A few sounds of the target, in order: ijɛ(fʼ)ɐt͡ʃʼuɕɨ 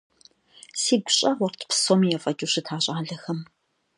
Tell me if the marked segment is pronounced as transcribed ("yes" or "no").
yes